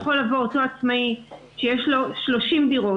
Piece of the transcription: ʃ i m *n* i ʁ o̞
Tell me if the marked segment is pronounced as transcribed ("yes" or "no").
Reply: no